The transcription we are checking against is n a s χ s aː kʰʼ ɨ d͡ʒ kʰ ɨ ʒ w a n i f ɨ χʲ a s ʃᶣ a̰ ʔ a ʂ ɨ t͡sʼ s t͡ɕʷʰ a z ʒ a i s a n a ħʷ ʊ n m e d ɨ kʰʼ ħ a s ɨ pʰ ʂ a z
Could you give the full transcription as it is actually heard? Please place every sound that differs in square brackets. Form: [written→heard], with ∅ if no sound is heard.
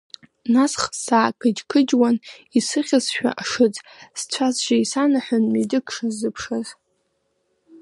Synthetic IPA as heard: n a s χ s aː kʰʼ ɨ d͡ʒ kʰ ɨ [ʒ→d͡ʒ] w a n i [f→s] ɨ χʲ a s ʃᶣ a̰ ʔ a ʂ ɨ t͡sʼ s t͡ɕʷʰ a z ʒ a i s a n a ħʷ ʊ n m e d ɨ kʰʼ [ħ→ʂ] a [s→z] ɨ pʰ ʂ a z